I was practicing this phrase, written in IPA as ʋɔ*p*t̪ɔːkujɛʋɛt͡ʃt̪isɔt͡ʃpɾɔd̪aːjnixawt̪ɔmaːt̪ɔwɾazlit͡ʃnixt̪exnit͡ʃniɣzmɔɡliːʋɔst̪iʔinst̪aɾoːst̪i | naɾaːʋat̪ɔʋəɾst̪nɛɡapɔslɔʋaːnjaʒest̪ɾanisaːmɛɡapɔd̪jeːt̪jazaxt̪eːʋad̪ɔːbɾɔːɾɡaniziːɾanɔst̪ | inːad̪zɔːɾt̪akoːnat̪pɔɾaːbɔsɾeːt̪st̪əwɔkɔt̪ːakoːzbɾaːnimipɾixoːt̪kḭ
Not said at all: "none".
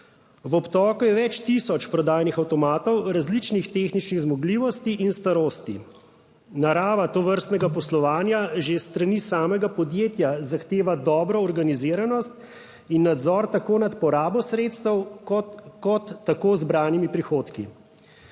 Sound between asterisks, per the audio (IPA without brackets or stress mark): p